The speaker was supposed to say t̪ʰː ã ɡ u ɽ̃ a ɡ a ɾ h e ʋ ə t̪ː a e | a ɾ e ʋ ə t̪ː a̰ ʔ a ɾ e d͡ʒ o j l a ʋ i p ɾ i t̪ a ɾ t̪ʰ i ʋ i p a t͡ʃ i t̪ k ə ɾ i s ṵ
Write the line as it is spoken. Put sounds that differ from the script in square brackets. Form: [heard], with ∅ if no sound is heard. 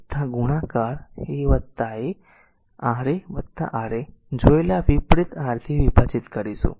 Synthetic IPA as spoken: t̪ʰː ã ɡ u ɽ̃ a [k] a ɾ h e ʋ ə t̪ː a e | a ɾ e ʋ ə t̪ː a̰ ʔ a ɾ e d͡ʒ o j l a ʋ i p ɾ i t̪ a ɾ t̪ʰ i ʋ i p a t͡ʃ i t̪ k ə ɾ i s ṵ